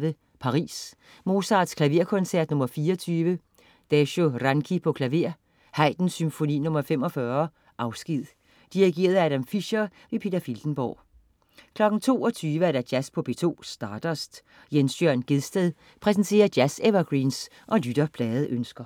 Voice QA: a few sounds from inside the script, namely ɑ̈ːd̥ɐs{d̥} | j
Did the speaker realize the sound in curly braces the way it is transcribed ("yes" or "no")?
yes